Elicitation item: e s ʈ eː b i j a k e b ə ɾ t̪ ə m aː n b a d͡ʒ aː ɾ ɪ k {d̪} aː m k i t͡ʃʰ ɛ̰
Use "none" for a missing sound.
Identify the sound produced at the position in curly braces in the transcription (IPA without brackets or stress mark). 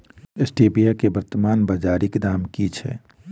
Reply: d̪